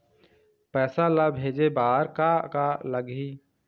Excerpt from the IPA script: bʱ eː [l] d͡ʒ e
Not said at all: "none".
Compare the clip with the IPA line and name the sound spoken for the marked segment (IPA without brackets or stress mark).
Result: none